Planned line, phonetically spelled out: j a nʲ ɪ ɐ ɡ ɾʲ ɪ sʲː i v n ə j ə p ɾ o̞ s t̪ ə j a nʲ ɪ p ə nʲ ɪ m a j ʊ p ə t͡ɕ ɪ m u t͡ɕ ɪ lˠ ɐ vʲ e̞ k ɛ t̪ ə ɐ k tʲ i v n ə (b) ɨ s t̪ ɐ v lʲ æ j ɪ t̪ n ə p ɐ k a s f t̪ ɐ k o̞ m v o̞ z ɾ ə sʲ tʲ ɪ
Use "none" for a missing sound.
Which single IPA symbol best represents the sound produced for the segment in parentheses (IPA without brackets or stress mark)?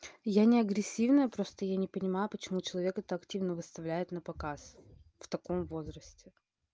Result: v